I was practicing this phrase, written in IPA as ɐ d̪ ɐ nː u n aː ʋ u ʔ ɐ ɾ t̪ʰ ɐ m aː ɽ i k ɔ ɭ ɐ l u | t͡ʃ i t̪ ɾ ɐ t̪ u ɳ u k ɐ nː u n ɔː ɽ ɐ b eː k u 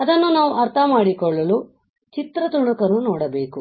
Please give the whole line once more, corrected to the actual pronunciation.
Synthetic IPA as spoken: ɐ d̪ ɐ nː u n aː ʋ u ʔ ɐ ɾ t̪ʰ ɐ m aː ɽ i k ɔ ɭː ɐ l u | t͡ʃ i t̪ ɾ ɐ t̪ u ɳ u k ɐ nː u n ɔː ɽ ɐ b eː k u